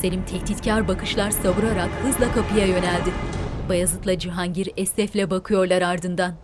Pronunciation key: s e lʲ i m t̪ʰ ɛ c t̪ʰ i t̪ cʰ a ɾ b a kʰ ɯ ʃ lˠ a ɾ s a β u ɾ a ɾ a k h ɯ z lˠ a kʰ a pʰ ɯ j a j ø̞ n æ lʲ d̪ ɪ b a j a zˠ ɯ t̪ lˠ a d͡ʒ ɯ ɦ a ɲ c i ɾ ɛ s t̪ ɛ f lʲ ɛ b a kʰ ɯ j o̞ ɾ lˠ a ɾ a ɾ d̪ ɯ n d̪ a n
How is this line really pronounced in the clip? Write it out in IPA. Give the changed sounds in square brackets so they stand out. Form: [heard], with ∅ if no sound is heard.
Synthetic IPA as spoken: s e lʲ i m t̪ʰ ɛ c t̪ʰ i t̪ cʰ a ɾ b a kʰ ɯ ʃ lˠ a ɾ s a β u ɾ a ɾ a k h ɯ z lˠ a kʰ a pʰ ɯ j a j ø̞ n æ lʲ d̪ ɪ b a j a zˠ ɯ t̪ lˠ a d͡ʒ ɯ ɦ a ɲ [ɟ] i ɾ ɛ s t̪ ɛ f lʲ ɛ b a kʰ ɯ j o̞ ɾ lˠ a ɾ a ɾ d̪ ɯ n d̪ a n